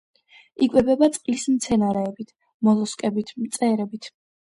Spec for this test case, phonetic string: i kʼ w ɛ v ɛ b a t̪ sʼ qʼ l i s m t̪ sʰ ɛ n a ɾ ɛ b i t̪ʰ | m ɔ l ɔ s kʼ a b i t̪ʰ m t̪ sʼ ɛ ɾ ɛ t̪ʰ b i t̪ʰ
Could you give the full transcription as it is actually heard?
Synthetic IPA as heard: i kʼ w ɛ b ɛ b a t̪ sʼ qʼ l i s m t̪ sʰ ɛ n a ɾ ɛː b i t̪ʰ | m ɔ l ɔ s kʼ ɛ b i t̪ʰ m t̪ sʼ ɛ ɾ ɛ b i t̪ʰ